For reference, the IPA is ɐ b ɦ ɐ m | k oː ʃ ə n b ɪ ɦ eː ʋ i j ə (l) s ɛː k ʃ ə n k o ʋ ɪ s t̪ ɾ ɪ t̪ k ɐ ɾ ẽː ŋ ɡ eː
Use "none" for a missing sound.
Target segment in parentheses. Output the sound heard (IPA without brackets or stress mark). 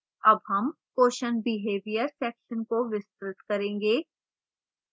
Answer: ɾ